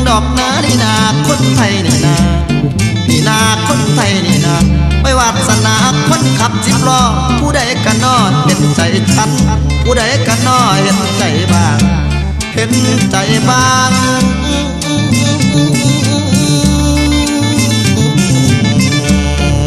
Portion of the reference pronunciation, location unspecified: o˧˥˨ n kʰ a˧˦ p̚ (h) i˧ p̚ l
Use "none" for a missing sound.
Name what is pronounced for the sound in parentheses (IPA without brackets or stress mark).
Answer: s